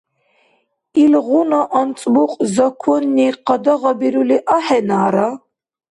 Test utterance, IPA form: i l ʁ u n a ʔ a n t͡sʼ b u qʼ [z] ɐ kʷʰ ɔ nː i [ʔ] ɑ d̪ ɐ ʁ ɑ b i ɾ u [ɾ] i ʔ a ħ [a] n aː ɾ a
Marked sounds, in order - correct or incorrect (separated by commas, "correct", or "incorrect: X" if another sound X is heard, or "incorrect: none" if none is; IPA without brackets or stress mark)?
correct, incorrect: q, incorrect: l, incorrect: ɛ